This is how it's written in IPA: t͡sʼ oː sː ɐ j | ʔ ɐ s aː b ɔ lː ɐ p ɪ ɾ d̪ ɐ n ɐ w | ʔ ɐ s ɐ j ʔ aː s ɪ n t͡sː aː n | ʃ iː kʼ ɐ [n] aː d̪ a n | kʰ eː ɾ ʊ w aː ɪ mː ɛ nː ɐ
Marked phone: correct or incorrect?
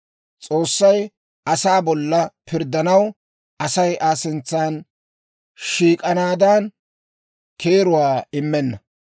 correct